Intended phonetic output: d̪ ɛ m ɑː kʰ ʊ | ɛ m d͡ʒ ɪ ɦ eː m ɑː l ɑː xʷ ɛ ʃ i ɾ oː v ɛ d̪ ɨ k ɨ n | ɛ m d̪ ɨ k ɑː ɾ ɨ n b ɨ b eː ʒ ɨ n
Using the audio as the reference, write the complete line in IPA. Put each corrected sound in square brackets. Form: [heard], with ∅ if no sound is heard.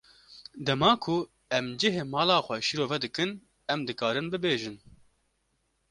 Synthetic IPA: d̪ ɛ m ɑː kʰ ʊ | ɛ m d͡ʒ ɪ ɦ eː m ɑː l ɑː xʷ ɛ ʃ i ɾ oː v ɛ d̪ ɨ k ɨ n | ɛ m d̪ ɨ k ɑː ɾ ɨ n b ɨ b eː ʒ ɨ n